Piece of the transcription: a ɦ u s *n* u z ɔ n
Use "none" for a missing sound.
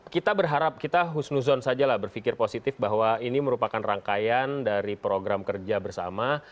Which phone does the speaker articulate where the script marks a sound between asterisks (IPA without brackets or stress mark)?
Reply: n